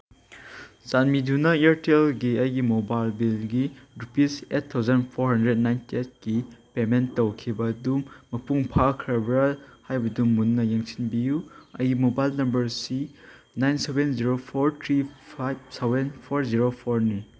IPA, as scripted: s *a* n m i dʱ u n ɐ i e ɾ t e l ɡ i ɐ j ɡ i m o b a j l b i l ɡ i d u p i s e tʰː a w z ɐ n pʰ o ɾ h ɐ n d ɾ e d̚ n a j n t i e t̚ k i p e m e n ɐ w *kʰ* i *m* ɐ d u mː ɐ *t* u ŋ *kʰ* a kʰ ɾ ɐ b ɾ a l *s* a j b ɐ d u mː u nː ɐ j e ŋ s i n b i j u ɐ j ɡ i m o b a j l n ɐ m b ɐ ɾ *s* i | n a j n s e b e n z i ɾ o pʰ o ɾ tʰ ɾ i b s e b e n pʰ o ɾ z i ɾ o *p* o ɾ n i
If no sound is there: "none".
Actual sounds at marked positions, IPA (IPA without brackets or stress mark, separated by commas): a, kʰ, b, p, pʰ, h, s, pʰ